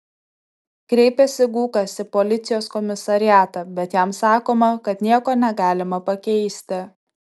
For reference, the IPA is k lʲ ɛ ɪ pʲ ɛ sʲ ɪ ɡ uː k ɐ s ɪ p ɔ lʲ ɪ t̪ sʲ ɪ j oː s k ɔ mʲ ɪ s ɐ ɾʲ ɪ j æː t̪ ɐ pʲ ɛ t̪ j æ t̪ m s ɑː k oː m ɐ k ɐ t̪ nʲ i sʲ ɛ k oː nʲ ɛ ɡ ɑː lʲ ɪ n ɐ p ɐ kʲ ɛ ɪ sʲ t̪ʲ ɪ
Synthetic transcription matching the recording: k ɾʲ ɛ ɪ pʲ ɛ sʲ ɪ ɡ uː k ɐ s ɪ p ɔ lʲ ɪ t̪ sʲ ɪ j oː s k ɔ mʲ ɪ s ɐ ɾʲ ɪ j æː t̪ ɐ bʲ ɛ t̪ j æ m s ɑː k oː m ɐ k ɐ t̪ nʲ i ɛ k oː nʲ ɛ ɡ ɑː lʲ ɪ m ɐ p ɐ kʲ ɛ ɪ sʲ t̪ʲ ɪ